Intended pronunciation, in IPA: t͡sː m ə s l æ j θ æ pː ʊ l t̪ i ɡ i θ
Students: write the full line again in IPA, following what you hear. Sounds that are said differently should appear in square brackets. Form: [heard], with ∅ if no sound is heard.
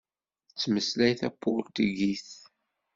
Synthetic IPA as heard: t͡sː m ə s l æ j θ æ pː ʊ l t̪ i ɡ i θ